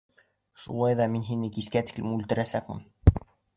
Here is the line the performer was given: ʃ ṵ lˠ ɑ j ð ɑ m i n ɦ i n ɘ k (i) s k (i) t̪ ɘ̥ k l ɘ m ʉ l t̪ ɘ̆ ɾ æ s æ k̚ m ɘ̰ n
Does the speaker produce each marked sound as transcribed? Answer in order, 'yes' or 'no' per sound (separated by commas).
yes, no